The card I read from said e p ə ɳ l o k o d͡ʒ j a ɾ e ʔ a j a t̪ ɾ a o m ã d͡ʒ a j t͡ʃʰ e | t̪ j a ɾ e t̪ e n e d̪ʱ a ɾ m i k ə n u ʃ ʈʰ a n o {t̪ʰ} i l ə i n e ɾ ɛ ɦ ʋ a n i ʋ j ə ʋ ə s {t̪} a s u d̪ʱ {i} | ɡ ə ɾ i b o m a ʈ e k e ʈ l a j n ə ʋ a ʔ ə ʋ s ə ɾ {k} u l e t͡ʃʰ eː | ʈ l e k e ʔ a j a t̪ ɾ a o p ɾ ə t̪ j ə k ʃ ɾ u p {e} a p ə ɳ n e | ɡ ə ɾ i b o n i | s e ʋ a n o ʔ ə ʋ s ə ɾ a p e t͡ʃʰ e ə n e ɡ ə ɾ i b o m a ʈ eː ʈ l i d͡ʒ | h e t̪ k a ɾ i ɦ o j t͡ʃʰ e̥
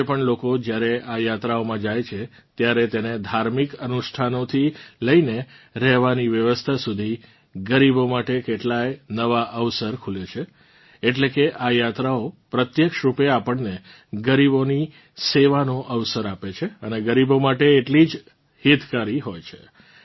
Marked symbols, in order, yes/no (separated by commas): yes, no, yes, no, yes